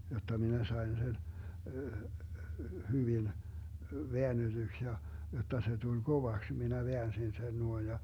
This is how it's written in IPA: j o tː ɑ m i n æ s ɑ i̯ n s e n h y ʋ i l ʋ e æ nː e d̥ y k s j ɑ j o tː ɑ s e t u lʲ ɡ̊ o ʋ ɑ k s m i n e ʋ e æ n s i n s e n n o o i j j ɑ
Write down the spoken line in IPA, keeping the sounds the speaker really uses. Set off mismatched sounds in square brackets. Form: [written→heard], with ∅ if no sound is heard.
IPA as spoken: j o tː ɑ m i n æ s ɑ i̯ n s e n h y ʋ i l ʋ e æ nː e d̥ y k s j ɑ j o tː ɑ s e t u lʲ ɡ̊ o ʋ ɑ k s m i n [e→æ] ʋ e æ n s i n s e n n [o→u] o i j j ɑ